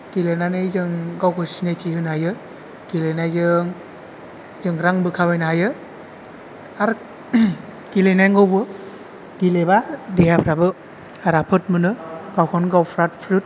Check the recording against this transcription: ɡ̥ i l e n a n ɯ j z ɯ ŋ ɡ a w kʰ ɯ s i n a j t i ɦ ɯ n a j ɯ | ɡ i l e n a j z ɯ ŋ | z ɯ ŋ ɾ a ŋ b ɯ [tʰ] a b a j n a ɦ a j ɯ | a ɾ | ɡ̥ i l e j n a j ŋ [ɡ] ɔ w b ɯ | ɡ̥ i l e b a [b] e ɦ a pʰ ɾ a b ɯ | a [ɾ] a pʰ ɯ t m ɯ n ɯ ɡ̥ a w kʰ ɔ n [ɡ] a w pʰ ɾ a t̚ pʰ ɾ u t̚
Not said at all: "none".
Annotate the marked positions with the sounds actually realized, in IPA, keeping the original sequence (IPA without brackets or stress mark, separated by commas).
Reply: kʰ, ɡ, d, ɾ, ɡ